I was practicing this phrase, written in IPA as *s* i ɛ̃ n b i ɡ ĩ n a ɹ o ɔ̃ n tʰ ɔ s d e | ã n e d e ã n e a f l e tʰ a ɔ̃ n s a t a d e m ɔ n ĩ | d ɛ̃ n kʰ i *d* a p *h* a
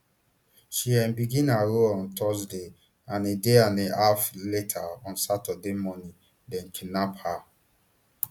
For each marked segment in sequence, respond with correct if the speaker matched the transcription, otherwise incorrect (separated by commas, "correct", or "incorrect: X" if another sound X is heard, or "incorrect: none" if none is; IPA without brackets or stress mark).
incorrect: ʃ, incorrect: n, correct